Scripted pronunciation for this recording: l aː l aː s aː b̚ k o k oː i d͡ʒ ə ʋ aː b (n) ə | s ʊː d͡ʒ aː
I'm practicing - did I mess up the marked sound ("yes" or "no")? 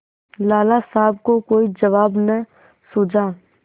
no